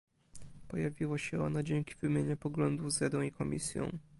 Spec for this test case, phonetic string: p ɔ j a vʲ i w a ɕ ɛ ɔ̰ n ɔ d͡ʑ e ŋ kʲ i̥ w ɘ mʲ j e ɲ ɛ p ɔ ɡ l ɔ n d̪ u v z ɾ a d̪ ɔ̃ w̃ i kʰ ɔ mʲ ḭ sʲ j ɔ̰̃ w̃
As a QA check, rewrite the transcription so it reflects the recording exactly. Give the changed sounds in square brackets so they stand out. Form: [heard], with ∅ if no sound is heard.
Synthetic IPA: p ɔ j a vʲ i w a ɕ ɛ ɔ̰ n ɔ d͡ʑ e ŋ kʲ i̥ [v] ɘ mʲ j e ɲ ɛ p ɔ ɡ l ɔ n d̪ u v z ɾ a d̪ ɔ̃ w̃ i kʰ ɔ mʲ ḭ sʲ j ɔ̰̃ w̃